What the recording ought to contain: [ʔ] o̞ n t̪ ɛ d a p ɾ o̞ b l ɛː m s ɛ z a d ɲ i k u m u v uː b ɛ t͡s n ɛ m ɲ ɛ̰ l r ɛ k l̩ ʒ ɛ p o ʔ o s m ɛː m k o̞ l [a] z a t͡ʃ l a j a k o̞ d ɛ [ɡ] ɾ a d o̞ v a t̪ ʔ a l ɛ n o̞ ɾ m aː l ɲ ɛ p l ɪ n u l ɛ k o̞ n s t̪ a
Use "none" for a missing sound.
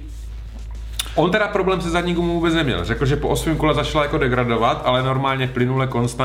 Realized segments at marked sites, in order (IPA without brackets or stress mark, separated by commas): ʔ, ɛ, ɡ